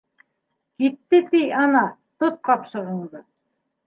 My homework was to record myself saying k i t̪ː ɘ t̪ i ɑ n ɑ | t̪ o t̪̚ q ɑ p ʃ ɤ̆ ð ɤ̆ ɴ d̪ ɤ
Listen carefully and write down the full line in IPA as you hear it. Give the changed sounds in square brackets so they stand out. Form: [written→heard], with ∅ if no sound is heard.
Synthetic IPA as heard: k i t̪ː ɘ t̪ i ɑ n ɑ | t̪ o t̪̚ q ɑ p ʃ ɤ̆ [ð→ʁ] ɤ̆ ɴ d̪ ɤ